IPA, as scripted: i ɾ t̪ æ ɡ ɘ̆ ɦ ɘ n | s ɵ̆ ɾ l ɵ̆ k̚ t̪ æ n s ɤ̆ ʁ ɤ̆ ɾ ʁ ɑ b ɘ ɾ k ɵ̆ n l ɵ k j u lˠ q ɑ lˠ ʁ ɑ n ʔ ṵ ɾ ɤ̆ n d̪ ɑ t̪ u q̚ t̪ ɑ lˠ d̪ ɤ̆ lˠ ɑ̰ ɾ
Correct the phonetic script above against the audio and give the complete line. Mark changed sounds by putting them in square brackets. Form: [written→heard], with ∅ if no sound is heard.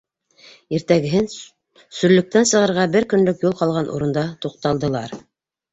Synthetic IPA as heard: i ɾ t̪ æ ɡ ɘ̆ ɦ ɘ n | s ɵ̆ ɾ l ɵ̆ k̚ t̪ æ n s ɤ̆ ʁ ɤ̆ ɾ ʁ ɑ b ɘ ɾ k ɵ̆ n l ɵ k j u lˠ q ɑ lˠ ʁ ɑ n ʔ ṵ ɾ ɤ̆ n d̪ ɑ t̪ u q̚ t̪ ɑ lˠ d̪ ɤ̆ lˠ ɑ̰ ɾ

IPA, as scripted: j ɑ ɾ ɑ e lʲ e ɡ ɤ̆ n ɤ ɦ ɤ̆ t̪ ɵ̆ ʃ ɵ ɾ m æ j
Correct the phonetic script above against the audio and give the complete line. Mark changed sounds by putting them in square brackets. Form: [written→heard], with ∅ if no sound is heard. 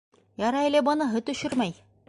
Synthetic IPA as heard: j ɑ ɾ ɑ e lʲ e [ɡ→b] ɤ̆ n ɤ ɦ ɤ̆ t̪ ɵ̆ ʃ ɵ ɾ m æ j

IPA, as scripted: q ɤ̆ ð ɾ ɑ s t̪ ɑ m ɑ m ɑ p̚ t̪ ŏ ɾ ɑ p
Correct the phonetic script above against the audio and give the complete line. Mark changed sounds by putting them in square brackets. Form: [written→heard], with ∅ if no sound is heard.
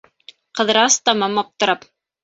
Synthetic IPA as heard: q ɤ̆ ð ɾ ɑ s t̪ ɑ m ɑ m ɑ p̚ t̪ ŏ ɾ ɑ p

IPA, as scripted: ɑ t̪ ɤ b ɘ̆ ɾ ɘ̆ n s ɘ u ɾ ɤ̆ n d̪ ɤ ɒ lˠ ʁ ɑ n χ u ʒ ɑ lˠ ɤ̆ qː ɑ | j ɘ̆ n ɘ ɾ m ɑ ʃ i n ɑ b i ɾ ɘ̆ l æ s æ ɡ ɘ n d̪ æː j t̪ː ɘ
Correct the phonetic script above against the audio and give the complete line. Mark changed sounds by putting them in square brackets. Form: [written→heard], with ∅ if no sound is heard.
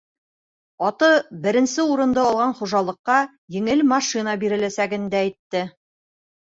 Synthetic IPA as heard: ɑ t̪ ɤ b ɘ̆ ɾ ɘ̆ n s ɘ u ɾ ɤ̆ n d̪ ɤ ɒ lˠ ʁ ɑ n χ u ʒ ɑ lˠ ɤ̆ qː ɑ | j ɘ̆ [n→ŋ] ɘ [ɾ→l] m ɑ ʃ i n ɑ b i ɾ ɘ̆ l æ s æ ɡ ɘ n d̪ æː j t̪ː ɘ

